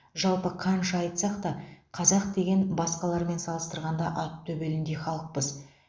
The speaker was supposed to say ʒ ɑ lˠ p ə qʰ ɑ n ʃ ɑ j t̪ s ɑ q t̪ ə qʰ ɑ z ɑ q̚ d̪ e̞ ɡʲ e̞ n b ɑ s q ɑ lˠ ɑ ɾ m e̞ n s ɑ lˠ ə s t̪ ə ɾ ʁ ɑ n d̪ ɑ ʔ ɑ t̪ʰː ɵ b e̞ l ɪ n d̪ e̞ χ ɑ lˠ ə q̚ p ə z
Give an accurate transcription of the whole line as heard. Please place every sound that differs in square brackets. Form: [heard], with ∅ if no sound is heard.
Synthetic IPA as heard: ʒ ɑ lˠ p ə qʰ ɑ n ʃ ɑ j t̪ s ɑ q t̪ [ɑ] qʰ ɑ z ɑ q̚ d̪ e̞ ɡʲ e̞ n b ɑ s q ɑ lˠ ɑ ɾ m e̞ n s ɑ lˠ ə s t̪ ə ɾ ʁ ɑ n d̪ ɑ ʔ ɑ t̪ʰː ɵ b e̞ l ɪ n d̪ e̞ χ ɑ lˠ ə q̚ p ə z